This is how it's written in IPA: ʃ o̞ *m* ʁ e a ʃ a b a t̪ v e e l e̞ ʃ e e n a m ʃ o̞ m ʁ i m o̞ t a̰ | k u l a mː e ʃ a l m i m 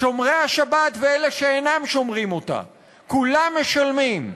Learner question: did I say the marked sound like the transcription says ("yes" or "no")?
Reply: yes